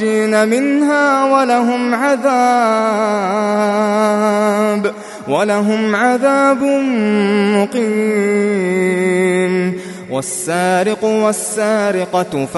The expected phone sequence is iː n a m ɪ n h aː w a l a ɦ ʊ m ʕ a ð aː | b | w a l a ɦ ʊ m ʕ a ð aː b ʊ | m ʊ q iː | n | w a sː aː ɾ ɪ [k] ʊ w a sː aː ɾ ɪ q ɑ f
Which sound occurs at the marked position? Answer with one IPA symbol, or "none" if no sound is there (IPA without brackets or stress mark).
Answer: q